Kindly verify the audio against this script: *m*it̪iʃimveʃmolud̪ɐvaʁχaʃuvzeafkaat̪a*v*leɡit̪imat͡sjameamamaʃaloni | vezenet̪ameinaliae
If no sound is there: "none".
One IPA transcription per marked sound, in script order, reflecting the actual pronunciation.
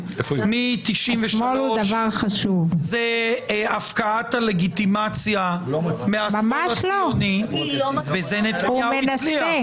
m, none

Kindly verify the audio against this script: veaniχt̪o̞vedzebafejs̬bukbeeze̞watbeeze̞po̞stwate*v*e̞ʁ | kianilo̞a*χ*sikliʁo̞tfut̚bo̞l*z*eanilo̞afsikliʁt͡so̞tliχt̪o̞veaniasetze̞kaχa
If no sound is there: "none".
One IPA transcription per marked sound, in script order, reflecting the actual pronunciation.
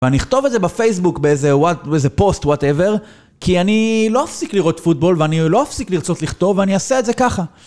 v, f, v

